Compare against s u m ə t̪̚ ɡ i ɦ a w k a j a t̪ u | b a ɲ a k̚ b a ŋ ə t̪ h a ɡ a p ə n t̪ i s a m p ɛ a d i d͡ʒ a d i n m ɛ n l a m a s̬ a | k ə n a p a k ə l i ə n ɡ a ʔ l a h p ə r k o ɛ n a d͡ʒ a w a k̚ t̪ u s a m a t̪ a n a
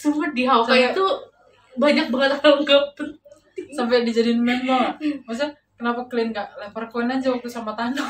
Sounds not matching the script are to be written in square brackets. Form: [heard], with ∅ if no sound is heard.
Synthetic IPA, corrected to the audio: s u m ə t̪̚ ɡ i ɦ a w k a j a t̪ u | b a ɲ a k̚ b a ŋ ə t̪ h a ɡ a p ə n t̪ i s a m p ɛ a d i d͡ʒ a d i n m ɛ n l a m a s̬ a | k ə n a p a k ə l i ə n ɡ a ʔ l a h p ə r k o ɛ n a d͡ʒ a w a k̚ t̪ u s a m a t̪ a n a